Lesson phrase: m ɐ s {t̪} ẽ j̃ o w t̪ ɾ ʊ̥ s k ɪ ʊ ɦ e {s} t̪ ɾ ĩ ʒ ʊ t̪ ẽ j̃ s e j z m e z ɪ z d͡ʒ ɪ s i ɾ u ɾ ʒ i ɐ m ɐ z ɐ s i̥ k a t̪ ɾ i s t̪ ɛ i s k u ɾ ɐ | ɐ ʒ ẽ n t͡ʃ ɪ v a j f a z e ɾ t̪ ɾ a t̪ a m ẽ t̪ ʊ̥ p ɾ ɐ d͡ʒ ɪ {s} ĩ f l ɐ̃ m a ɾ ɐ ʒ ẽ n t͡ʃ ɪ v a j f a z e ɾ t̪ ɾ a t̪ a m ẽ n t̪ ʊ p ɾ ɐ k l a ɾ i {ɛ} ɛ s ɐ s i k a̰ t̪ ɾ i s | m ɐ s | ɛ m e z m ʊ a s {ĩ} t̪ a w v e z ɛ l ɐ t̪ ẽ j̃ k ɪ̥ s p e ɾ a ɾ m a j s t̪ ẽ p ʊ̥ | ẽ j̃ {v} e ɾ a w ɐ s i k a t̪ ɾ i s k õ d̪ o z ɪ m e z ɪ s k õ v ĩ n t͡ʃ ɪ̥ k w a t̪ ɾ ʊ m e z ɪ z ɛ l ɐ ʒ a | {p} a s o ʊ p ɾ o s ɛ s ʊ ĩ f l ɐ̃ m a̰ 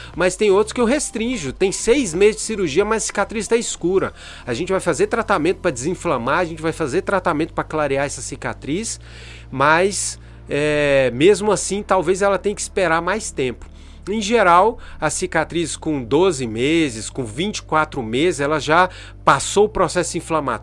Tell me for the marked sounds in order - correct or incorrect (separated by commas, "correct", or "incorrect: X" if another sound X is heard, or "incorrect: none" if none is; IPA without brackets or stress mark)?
correct, correct, incorrect: z, incorrect: a, correct, incorrect: ʒ, correct